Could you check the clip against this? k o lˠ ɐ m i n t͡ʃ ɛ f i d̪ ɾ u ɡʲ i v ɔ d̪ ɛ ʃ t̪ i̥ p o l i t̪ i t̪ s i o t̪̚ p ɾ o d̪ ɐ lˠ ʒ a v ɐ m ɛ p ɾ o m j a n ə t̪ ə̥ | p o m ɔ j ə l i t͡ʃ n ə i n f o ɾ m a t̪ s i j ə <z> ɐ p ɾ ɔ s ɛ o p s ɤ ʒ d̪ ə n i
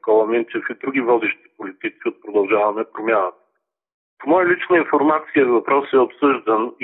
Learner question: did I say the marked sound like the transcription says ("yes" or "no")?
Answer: no